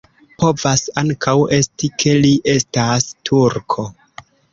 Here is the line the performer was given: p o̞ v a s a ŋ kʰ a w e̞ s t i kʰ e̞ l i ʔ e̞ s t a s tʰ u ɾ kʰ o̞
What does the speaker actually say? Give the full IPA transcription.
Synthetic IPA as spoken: p o̞ v a s a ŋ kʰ a w e̞ s t i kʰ e̞ l i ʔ e̞ s t a s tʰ u ɾ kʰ o̞